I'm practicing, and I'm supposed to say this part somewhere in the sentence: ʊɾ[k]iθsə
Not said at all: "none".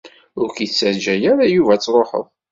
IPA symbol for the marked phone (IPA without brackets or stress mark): k